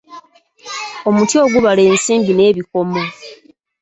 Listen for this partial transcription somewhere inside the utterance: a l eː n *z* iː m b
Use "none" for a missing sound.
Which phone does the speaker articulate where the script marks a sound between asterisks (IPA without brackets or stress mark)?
s